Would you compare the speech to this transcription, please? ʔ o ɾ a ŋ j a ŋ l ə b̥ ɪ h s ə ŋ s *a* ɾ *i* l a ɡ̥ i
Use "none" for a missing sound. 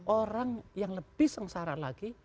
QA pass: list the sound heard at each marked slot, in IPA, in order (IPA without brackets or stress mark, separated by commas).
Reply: a, a